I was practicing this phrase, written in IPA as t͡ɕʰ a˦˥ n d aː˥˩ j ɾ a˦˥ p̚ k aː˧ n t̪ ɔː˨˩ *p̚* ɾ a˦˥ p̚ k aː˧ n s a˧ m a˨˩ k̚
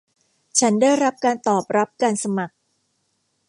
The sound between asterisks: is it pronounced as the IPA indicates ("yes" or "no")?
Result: yes